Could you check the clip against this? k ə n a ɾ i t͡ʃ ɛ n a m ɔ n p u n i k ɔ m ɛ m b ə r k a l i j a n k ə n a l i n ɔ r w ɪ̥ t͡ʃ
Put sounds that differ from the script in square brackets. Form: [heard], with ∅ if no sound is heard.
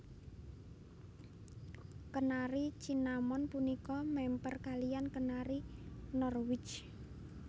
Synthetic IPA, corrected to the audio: k ə n a ɾ i t͡ʃ [i] n a m ɔ n p u n i k ɔ m ɛ m [p] ə r k a l i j a n k ə n a [ɾ] i n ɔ r w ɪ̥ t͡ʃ